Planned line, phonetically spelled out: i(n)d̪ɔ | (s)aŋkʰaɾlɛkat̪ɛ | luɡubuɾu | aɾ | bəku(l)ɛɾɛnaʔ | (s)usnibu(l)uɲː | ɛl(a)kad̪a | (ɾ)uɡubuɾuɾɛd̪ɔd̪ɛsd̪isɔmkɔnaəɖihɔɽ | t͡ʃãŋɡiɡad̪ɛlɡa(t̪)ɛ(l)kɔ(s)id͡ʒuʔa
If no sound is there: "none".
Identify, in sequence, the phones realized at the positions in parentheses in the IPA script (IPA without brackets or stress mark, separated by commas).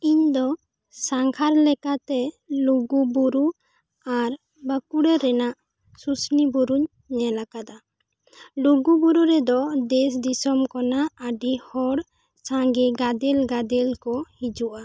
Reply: ɲ, s, ɽ, s, ɾ, a, l, d̪, l, h